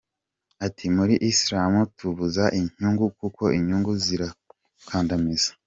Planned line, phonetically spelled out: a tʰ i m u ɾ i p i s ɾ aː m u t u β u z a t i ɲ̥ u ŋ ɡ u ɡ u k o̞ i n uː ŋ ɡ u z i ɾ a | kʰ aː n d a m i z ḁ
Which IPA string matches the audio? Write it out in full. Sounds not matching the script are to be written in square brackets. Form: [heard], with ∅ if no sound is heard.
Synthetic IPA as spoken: a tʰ i m u ɾ i [ʔ] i s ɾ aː m u t u β u z a [ʔ] i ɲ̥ u ŋ ɡ u [k] u k o̞ i [ɲ] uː ŋ ɡ u z i ɾ a | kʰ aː n d a m i z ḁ